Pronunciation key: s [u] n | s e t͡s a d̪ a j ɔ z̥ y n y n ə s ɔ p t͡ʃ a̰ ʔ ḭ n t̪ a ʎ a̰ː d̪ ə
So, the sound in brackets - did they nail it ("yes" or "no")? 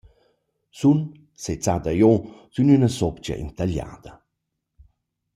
yes